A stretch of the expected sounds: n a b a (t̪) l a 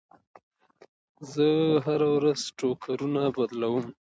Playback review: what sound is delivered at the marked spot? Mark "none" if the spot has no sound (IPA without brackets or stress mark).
d̪